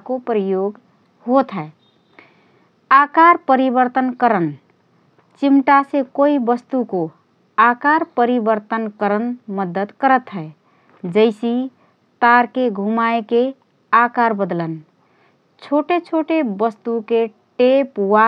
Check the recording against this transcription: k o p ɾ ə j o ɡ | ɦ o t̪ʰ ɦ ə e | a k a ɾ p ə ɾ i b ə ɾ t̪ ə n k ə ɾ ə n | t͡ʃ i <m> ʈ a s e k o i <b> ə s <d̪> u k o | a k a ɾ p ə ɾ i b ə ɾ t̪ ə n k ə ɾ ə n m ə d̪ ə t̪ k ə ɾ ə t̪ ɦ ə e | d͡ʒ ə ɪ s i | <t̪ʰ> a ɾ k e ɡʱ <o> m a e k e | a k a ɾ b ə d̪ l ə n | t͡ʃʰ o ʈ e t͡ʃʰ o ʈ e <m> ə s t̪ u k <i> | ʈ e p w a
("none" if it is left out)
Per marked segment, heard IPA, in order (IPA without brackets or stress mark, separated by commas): m, b, t̪, t̪, u, b, e